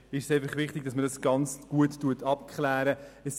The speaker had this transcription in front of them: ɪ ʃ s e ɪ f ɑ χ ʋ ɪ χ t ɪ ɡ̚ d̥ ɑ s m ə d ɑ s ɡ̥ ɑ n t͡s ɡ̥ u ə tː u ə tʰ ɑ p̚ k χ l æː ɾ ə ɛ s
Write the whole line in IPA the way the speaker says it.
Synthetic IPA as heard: ɪ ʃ s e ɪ f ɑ χ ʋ ɪ χ t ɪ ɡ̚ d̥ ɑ s m ə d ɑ s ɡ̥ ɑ n t͡s ɡ̥ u ə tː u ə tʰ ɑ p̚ k χ l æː ɾ ə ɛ s